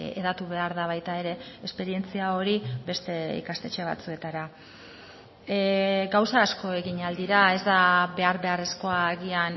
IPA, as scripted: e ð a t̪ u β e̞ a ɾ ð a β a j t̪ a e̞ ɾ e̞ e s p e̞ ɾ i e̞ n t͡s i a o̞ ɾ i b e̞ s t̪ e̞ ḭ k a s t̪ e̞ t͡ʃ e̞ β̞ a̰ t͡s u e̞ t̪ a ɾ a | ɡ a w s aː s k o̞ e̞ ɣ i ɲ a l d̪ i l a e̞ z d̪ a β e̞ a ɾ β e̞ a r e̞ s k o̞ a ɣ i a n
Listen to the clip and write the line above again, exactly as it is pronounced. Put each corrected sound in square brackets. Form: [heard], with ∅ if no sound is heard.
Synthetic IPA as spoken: e ð a t̪ u β e̞ a ɾ ð a β a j t̪ a e̞ ɾ e̞ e s p e̞ ɾ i e̞ n t͡s i a o̞ ɾ i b e̞ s t̪ e̞ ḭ k a s t̪ e̞ t͡ʃ e̞ β̞ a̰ t͡s u e̞ t̪ a ɾ a | ɡ a w s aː s k o̞ e̞ ɣ i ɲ a l d̪ i [ɾ] a e̞ z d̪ a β e̞ a ɾ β e̞ a r e̞ s k o̞ a ɣ i a n